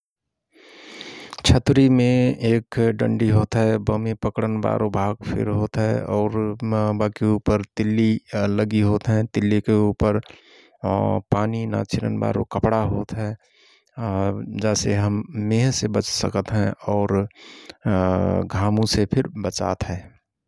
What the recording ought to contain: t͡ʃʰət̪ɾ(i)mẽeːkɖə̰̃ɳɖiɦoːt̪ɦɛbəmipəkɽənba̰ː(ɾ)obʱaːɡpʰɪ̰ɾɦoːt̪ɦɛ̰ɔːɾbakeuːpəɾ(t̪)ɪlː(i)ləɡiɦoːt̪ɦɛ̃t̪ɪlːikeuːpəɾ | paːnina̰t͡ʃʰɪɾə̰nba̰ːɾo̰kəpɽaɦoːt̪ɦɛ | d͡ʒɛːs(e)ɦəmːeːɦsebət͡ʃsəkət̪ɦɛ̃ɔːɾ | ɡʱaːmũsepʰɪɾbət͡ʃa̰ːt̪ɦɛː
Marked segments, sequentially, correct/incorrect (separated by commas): correct, correct, correct, correct, correct